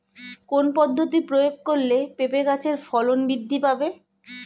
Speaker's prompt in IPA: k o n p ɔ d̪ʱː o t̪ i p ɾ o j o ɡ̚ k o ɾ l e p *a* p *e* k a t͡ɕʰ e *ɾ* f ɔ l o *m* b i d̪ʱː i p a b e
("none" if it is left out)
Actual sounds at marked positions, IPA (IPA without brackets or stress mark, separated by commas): e, e, ɾ, n